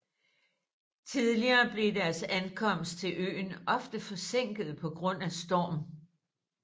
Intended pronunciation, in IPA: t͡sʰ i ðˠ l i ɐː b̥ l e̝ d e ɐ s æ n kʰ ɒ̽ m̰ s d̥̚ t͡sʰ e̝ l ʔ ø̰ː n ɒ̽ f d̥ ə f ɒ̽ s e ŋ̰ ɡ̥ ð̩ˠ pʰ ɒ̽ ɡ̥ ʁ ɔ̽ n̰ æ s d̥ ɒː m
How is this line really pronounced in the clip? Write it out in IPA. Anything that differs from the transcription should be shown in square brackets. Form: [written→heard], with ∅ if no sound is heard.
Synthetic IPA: t͡sʰ i ðˠ l i ɐː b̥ l e̝ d [e→æ] ɐ s æ n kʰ ɒ̽ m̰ s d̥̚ t͡sʰ e̝ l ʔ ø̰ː n ɒ̽ f d̥ ə f ɒ̽ s e ŋ̰ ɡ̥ ð̩ˠ pʰ ɒ̽ ɡ̥ ʁ ɔ̽ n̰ æ s d̥ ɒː m